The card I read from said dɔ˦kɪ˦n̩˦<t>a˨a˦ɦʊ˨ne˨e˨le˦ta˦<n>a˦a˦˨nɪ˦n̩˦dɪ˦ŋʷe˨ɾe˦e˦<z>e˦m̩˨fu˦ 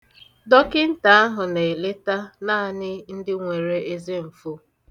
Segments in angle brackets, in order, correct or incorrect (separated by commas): correct, correct, correct